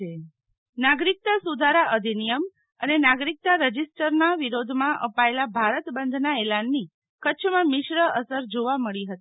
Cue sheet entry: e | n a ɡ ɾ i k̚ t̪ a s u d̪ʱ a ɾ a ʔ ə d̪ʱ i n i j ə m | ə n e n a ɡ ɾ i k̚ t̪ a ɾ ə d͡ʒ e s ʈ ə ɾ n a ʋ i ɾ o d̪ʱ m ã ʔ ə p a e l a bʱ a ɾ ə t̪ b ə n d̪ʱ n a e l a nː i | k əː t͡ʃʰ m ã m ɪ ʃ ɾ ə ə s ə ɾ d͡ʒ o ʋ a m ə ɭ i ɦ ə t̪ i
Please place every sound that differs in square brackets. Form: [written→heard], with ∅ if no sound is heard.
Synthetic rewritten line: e | n a ɡ ɾ i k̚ t̪ a s u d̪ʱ a ɾ a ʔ ə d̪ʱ i n i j ə m | ə n e n a ɡ ɾ i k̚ t̪ a ɾ ə d͡ʒ [e→i] s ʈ ə ɾ n a ʋ i ɾ o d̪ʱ m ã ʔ ə p a e l a bʱ a ɾ ə t̪ b ə n d̪ʱ n a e l a nː i | k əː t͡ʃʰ m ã m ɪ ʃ ɾ ə ə s ə ɾ d͡ʒ o ʋ a m ə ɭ i ɦ ə t̪ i